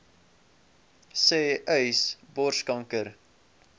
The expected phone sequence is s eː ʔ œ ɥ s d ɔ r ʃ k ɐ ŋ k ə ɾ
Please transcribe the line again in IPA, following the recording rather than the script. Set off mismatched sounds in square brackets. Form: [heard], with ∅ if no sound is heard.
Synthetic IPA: s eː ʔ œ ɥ s [b] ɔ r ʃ k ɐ ŋ k ə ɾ